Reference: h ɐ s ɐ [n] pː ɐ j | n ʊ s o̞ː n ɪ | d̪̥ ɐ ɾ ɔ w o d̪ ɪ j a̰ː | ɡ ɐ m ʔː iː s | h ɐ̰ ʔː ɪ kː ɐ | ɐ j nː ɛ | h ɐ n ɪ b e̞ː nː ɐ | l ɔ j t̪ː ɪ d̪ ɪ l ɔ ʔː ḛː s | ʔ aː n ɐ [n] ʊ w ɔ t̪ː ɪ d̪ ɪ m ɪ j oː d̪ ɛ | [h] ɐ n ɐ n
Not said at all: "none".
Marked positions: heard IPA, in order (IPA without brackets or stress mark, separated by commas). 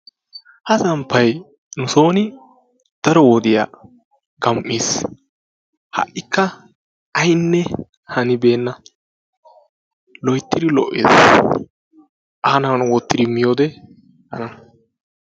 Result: m, n, h